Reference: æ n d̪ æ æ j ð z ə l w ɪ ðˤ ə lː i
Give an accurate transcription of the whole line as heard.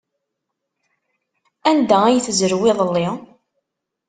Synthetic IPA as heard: æ n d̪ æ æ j θ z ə ɾ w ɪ ðˤ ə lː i